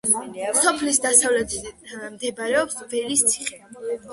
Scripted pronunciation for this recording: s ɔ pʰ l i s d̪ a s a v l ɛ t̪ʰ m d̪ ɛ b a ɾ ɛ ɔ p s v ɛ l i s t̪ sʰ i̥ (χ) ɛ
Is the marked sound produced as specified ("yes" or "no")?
yes